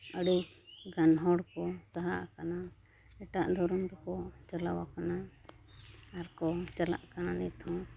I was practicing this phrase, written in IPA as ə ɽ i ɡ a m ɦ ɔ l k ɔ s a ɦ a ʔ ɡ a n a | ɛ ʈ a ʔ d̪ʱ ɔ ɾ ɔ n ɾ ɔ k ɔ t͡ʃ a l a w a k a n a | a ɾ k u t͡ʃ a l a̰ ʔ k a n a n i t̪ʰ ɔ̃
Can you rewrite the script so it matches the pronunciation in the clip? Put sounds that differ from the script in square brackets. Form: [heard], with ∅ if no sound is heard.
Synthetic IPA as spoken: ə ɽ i ɡ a [n] ɦ ɔ [ɽ] k ɔ s a ɦ a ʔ [k] a n a | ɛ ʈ a ʔ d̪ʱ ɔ ɾ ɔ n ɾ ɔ k ɔ t͡ʃ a l a w a k a n a | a ɾ k [ɔ] t͡ʃ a l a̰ ʔ k a n a n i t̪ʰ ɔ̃